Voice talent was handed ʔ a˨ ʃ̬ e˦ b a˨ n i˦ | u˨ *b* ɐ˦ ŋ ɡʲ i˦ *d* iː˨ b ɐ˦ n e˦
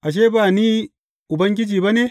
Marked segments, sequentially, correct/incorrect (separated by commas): correct, incorrect